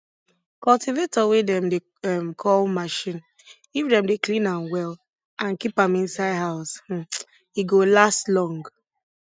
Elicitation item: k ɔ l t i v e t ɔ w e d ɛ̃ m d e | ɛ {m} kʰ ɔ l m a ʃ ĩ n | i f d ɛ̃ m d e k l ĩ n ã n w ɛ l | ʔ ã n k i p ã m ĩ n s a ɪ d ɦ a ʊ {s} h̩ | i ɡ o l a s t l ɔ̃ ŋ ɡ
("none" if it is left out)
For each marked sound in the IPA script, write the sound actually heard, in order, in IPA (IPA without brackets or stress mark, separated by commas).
m, s